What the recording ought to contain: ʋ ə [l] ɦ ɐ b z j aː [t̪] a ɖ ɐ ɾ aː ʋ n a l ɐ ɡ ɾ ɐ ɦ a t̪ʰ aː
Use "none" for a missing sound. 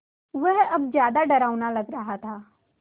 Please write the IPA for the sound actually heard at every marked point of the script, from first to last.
none, d̪

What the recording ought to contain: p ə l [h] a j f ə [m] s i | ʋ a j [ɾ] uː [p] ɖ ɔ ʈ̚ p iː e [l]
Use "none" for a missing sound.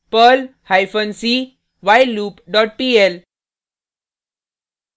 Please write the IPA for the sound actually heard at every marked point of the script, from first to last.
h, n, l, p, l

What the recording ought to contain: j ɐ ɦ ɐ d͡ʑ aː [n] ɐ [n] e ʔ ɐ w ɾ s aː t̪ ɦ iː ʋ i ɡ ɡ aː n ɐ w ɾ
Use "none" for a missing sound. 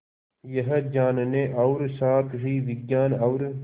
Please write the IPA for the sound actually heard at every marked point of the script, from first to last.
n, n

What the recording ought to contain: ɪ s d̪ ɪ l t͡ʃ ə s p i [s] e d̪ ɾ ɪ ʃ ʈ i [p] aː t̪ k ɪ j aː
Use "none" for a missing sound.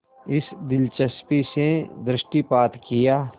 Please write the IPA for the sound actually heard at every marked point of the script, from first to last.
s, p

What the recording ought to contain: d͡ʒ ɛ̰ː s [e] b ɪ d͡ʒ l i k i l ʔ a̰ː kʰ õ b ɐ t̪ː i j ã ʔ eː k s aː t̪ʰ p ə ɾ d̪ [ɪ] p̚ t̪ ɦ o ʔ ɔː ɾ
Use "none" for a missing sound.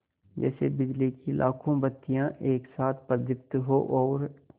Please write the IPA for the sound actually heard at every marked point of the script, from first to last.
e, ɪ

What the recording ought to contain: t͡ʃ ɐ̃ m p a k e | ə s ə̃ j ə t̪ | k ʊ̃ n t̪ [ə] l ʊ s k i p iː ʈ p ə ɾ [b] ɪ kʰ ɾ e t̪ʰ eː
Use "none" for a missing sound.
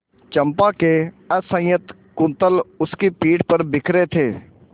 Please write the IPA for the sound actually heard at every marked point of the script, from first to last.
ə, b

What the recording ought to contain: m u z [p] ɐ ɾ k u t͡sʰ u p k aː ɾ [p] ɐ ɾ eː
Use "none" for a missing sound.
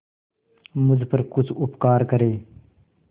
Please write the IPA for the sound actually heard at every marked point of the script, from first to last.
p, k

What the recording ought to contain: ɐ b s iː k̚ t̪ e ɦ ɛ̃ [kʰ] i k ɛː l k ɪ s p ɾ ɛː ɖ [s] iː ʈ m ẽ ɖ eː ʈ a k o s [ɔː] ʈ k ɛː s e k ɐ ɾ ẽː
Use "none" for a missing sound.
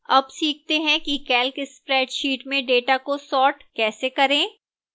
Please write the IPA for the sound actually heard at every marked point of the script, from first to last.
k, ʃ, ɔː

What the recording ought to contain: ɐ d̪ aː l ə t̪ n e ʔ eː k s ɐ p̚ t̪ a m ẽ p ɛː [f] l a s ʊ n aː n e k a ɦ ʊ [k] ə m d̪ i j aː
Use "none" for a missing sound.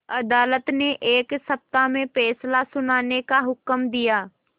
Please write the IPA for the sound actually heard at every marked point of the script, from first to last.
s, k

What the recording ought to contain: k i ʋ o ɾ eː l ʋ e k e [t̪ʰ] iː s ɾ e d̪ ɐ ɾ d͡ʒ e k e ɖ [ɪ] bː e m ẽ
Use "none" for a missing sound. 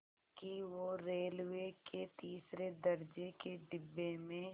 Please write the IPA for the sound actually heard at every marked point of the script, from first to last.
t̪, ɪ

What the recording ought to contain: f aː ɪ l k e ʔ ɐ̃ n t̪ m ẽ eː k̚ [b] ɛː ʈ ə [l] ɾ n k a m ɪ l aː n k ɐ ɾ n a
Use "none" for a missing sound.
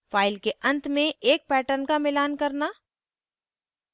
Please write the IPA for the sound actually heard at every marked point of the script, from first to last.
p, none

